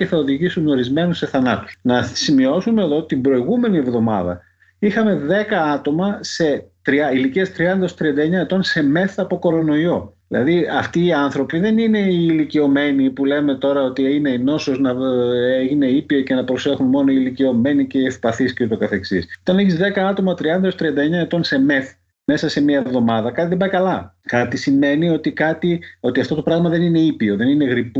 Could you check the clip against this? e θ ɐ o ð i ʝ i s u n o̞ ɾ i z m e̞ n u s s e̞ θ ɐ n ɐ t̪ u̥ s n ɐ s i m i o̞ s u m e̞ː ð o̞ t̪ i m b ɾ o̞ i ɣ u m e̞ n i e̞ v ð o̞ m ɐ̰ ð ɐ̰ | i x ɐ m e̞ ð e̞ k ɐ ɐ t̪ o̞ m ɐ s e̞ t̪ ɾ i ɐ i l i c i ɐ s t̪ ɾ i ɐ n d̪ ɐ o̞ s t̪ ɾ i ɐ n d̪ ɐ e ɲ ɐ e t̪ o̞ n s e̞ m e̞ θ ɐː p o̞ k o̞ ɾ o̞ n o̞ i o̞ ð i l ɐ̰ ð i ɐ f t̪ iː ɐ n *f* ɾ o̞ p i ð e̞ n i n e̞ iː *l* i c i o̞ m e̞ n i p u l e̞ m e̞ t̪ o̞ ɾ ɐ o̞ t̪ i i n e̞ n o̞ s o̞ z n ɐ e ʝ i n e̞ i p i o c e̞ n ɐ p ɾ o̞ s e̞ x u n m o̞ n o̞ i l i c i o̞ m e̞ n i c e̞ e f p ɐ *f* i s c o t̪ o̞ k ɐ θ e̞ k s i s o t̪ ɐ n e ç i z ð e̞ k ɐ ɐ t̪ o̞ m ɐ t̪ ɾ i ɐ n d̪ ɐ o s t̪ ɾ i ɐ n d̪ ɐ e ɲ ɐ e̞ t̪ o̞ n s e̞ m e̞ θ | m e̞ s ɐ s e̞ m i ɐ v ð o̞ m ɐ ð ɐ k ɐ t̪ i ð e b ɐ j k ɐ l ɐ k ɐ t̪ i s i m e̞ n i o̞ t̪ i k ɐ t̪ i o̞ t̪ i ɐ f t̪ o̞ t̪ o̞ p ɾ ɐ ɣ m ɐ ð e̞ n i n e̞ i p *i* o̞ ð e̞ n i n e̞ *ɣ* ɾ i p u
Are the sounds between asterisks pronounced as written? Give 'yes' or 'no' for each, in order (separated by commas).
no, yes, no, yes, yes